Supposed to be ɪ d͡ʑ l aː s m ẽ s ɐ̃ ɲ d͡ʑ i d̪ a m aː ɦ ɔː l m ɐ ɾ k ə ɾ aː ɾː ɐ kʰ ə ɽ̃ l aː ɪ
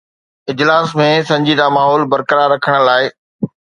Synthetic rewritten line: ɪ d͡ʑ l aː s m ẽ s ɐ̃ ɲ d͡ʑ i d̪ a m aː ɦ ɔː l b ɐ ɾ k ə ɾ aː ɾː ɐ kʰ ə ɽ̃ l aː ɪ